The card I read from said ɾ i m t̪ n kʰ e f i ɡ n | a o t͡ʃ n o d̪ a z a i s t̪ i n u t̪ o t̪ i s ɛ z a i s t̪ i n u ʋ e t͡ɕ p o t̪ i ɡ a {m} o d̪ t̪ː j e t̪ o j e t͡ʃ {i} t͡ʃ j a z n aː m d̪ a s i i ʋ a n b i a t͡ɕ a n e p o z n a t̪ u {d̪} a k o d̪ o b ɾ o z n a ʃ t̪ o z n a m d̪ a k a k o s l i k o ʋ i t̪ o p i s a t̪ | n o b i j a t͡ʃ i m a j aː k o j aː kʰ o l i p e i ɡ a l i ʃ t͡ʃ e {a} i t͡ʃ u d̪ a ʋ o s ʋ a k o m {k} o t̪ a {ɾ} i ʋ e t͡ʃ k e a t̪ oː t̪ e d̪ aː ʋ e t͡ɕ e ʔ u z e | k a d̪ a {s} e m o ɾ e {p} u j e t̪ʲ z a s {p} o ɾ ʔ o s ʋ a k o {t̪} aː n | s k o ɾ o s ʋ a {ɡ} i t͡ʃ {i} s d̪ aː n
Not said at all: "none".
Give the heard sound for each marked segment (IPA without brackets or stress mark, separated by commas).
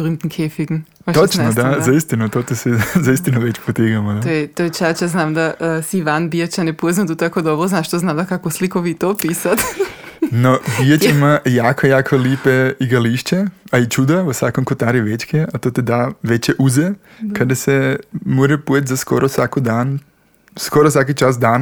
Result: m, a, t̪, a, k, ɾ, s, p, k, d̪, k, a